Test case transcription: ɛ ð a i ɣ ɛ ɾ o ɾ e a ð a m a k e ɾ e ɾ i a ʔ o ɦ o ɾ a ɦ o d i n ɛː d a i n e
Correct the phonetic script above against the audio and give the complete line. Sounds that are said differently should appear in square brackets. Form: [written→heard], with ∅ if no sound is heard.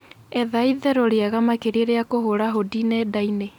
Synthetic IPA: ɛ ð a i [ɣ→ð] ɛ ɾ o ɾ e a [ð→ɣ] a m a k e ɾ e ɾ [i→e] a [ʔ→k] o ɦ o ɾ a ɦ o d i n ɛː d a i n e